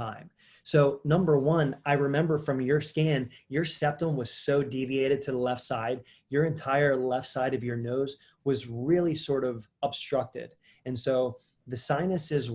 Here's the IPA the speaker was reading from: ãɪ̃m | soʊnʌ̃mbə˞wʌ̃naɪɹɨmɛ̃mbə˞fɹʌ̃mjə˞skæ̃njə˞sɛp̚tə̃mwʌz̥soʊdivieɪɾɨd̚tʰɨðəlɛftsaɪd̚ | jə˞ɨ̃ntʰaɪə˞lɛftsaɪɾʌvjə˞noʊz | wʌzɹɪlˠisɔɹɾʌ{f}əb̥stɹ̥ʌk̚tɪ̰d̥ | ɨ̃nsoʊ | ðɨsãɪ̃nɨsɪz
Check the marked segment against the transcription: incorrect: v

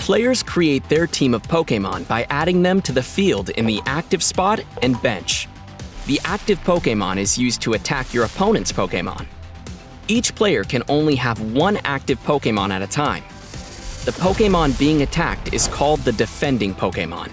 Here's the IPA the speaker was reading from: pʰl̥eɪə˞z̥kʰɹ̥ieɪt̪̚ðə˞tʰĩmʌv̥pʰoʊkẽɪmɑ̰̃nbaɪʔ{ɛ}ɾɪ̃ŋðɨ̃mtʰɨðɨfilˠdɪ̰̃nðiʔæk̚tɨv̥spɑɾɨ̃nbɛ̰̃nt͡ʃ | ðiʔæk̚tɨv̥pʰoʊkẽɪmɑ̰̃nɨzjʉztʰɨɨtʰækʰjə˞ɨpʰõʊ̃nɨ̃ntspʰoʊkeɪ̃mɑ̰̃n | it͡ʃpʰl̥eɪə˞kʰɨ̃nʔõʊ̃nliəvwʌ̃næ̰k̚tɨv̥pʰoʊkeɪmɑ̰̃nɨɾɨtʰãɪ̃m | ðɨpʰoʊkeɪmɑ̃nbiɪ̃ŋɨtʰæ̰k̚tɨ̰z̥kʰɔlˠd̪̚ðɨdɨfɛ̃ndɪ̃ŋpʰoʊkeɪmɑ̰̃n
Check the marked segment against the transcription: incorrect: æ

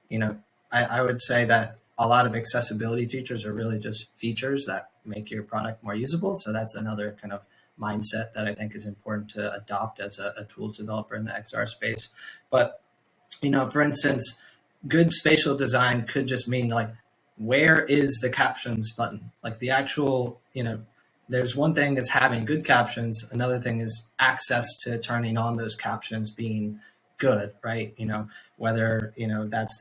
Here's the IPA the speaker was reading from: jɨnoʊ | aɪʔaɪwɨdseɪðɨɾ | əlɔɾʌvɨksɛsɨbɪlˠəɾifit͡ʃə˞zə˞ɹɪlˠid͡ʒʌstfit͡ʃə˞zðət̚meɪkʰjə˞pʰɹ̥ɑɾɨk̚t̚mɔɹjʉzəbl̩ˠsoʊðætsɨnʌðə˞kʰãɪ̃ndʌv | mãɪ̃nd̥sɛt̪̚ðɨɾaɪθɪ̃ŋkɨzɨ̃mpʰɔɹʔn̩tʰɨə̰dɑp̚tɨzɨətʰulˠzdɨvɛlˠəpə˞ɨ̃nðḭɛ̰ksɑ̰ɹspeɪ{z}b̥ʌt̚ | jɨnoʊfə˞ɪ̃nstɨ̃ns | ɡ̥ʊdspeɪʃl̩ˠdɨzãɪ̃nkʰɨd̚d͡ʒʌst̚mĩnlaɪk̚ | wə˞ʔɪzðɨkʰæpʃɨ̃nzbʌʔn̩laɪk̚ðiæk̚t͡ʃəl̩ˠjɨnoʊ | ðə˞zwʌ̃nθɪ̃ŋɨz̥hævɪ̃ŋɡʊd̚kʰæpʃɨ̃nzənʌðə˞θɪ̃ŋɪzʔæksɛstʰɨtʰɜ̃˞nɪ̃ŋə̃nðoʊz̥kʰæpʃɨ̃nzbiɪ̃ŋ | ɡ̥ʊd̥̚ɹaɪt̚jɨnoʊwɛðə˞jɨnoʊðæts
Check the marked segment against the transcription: incorrect: s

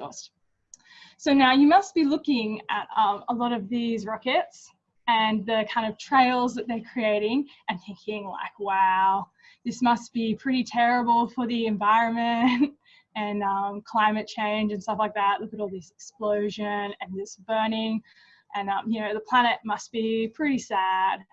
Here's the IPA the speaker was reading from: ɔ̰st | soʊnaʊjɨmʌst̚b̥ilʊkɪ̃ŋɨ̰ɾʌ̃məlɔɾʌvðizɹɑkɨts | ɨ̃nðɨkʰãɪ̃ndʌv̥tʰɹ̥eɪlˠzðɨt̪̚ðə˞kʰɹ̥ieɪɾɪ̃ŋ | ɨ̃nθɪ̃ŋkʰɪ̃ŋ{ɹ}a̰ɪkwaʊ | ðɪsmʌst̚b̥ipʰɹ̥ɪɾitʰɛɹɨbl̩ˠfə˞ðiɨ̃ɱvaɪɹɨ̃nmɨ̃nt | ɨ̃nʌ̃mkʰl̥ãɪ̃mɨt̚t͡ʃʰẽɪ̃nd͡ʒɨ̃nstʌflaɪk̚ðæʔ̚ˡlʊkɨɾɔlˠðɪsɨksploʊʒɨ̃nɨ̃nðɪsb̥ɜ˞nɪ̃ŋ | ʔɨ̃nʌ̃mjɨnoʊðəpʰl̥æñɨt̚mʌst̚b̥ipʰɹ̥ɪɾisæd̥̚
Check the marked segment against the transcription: incorrect: l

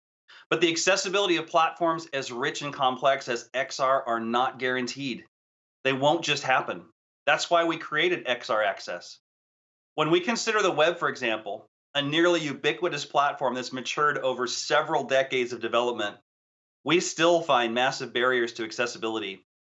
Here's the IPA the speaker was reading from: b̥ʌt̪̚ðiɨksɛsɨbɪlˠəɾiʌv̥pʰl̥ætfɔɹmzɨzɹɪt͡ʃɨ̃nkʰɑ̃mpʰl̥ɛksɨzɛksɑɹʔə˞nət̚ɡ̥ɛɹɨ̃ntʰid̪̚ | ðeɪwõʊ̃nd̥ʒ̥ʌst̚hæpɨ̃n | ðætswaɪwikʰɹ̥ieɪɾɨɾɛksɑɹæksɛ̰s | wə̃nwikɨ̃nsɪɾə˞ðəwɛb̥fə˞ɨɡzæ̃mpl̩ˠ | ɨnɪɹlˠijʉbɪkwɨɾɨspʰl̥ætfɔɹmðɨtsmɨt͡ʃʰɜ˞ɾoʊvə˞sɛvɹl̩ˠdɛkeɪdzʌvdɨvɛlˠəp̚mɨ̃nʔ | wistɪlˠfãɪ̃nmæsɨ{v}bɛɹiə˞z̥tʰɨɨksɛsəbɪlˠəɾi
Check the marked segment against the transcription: correct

